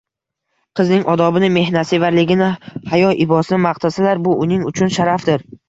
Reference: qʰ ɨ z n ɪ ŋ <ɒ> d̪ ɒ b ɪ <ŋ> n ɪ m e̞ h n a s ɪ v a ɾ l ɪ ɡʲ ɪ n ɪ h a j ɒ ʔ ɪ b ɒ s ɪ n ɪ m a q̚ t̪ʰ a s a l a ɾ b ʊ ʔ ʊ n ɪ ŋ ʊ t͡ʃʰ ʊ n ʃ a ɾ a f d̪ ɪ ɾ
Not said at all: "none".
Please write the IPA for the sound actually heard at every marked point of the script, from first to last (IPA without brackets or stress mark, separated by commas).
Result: ɒ, none